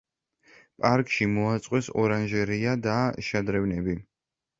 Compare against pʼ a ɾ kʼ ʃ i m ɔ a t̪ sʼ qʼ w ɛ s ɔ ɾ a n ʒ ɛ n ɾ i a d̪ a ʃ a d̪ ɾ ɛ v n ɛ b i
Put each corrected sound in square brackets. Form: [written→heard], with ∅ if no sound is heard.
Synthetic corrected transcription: pʼ a ɾ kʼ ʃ i m ɔ a t̪ sʼ qʼ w ɛ s ɔ ɾ a n ʒ ɛ [n→∅] ɾ i a d̪ a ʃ a d̪ ɾ ɛ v n ɛ b i